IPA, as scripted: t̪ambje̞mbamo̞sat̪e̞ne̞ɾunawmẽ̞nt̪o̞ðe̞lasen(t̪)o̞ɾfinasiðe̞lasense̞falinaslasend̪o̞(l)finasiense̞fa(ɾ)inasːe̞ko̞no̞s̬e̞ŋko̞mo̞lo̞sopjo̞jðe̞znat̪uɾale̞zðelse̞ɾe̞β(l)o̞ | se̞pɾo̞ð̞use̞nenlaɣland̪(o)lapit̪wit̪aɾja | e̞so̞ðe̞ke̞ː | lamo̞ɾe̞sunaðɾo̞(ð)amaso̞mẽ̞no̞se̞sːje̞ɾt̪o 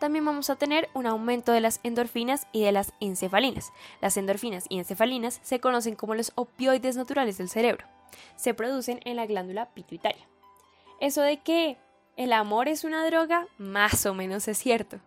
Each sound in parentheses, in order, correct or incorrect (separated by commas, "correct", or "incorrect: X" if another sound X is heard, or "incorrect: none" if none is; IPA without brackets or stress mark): incorrect: d̪, incorrect: ɾ, incorrect: l, incorrect: ɾ, incorrect: u, incorrect: ɣ